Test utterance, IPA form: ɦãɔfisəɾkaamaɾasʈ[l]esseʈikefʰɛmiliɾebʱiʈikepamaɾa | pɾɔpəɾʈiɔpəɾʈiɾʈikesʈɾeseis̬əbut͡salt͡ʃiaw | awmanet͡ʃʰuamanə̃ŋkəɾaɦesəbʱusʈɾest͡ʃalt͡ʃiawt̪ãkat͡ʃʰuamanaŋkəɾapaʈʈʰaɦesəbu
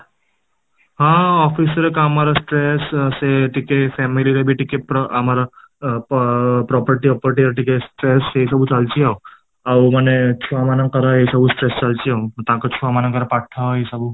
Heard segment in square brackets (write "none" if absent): ɾ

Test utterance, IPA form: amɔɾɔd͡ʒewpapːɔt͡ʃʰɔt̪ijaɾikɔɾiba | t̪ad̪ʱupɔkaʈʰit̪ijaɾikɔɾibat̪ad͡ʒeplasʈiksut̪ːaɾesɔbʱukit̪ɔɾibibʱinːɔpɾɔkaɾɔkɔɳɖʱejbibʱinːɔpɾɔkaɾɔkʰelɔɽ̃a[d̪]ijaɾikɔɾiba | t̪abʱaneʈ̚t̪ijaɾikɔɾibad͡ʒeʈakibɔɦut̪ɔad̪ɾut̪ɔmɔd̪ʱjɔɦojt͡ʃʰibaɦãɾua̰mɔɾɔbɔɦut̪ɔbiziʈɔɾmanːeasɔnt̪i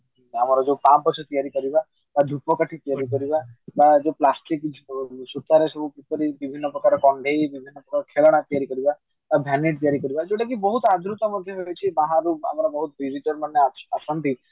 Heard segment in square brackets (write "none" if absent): t̪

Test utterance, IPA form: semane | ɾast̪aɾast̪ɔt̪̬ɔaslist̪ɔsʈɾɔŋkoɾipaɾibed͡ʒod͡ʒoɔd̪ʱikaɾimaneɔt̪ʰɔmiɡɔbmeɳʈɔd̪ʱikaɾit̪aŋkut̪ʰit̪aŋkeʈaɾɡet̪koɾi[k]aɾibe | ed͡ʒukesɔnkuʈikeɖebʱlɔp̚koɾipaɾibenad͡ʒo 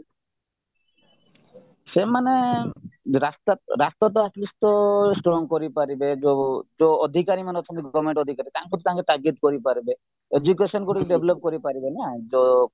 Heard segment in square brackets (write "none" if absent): p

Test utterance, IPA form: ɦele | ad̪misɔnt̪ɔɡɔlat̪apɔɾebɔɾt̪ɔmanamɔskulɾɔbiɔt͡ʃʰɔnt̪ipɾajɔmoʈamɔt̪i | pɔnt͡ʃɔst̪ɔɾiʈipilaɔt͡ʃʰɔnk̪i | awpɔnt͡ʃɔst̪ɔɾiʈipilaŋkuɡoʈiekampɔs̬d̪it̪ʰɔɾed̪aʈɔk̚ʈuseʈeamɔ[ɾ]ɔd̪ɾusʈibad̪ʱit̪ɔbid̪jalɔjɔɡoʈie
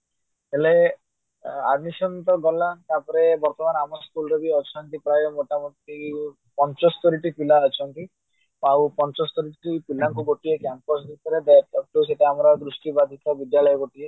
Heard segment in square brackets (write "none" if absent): ɾ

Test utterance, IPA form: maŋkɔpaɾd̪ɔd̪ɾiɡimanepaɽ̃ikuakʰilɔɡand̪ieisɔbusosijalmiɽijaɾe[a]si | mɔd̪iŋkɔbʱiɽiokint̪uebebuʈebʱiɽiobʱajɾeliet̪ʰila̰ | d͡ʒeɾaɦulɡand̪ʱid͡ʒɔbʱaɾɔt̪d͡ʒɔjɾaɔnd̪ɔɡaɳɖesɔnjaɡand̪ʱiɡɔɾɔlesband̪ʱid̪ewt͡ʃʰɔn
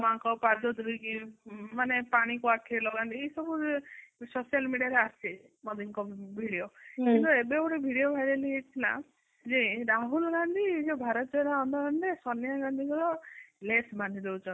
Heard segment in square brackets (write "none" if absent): a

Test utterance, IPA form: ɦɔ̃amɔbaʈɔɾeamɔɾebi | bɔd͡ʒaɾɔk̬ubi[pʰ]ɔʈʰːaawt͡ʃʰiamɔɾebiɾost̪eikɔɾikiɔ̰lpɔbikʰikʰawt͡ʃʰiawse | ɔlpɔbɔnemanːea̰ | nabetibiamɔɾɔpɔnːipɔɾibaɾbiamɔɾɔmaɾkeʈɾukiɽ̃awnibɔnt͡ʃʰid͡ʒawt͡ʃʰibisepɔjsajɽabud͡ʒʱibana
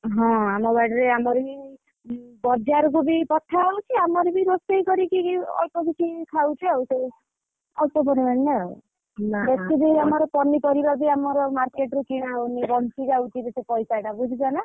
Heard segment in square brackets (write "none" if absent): p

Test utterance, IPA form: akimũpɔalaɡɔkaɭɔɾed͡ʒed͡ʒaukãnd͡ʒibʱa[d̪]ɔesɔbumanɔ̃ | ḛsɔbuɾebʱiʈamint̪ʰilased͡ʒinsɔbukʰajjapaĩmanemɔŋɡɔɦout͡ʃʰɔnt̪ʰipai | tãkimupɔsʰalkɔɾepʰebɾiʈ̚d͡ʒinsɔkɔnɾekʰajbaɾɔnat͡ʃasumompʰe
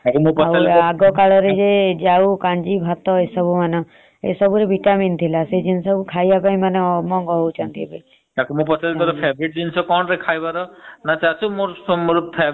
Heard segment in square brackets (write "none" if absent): t̪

